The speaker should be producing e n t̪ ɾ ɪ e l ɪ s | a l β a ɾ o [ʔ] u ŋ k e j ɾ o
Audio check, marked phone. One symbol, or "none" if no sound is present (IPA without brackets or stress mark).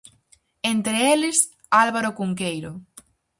k